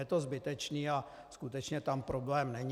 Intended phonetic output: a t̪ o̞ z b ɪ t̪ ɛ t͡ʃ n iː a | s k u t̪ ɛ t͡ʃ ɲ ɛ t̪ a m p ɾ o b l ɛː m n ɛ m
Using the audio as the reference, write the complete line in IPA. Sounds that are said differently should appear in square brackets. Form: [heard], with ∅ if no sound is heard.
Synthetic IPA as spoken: [ɛ] t̪ o̞ z b ɪ t̪ ɛ t͡ʃ n iː a | s k u t̪ ɛ t͡ʃ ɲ ɛ t̪ a m p ɾ o b l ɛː m n ɛ [ɲ]